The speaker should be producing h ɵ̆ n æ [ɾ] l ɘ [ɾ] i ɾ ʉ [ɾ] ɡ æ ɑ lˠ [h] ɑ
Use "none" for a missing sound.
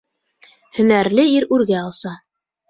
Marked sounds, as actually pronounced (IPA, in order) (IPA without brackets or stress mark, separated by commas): ɾ, none, ɾ, s